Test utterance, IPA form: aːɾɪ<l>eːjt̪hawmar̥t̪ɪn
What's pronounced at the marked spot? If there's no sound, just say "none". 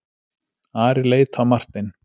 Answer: l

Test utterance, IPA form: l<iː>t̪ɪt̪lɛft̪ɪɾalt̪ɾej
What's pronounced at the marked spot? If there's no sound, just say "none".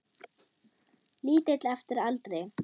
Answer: iː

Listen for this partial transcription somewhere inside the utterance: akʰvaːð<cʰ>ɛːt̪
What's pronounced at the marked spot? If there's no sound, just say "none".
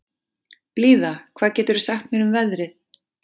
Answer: c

